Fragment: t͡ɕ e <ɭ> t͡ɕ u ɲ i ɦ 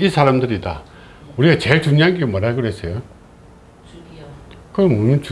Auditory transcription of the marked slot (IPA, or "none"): ɭ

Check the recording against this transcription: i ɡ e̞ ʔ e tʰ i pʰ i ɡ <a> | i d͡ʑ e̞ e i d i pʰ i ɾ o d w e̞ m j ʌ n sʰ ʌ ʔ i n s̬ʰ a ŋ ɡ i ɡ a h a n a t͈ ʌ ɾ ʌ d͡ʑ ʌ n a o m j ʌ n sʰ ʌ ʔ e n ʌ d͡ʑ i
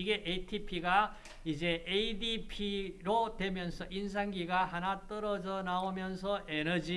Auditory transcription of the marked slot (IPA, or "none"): a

